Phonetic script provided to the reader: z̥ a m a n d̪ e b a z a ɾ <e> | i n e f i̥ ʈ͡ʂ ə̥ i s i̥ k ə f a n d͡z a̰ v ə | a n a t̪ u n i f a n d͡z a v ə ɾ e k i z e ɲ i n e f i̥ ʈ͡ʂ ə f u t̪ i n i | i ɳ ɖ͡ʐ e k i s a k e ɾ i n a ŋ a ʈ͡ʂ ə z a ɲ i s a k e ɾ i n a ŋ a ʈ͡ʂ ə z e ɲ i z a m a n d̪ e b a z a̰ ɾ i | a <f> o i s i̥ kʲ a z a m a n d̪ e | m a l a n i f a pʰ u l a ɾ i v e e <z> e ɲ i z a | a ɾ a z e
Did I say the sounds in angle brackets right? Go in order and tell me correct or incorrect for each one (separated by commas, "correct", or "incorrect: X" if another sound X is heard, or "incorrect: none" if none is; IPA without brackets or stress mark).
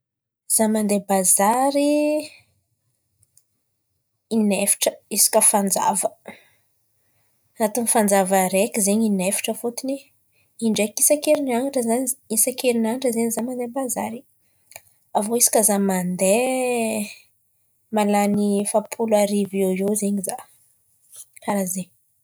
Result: incorrect: i, incorrect: v, correct